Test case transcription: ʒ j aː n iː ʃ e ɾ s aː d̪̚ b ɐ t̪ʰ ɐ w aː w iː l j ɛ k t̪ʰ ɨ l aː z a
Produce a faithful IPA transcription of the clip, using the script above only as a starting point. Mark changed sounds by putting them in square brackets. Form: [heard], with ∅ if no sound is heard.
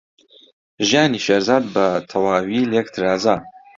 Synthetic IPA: ʒ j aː n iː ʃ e ɾ [z] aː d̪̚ b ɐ t̪ʰ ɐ w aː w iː l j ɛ k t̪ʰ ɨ [ɾ] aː z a